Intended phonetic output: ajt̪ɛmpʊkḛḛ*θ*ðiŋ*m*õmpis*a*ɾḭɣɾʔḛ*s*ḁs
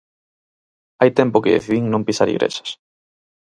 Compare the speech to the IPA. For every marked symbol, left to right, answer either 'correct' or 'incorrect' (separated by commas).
correct, incorrect, correct, incorrect